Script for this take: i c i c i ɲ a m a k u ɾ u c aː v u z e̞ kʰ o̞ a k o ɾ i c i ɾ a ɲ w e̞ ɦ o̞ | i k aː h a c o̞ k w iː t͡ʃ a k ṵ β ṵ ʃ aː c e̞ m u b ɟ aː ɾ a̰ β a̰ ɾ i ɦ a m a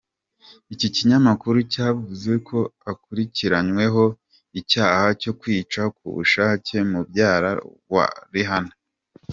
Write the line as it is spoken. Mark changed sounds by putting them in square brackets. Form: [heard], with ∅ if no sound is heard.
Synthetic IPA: i c i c i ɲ a m a k u ɾ u c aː v u z e̞ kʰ o̞ a k [u] ɾ i c i ɾ a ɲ w e̞ ɦ o̞ | i [c] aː h a c o̞ k w iː t͡ʃ a k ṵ β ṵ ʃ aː c e̞ m u b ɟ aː ɾ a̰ [w] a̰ ɾ i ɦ a [n] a